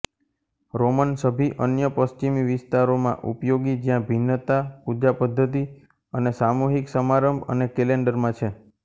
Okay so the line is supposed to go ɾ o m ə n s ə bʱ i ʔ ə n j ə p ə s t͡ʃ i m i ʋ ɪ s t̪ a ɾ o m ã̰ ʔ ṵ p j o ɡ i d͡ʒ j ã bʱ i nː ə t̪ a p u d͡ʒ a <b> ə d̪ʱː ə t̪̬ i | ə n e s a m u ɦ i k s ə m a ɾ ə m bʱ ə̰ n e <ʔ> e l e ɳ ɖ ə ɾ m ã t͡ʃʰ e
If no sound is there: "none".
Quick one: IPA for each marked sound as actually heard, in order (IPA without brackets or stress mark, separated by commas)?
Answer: p, k